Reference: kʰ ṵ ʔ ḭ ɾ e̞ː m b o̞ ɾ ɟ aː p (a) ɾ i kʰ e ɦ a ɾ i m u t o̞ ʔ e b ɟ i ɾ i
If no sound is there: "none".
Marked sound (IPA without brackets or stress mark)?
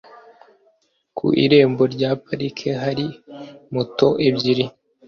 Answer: a